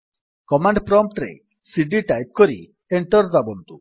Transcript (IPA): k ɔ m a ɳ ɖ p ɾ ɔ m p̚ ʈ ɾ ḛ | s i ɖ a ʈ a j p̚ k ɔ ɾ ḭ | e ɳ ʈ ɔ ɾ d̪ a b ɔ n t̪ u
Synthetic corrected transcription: k ɔ m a ɳ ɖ p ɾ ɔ m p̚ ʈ ɾ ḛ | s i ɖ i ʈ a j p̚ k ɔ ɾ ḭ | e ɳ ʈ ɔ ɾ d̪ a b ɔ n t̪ u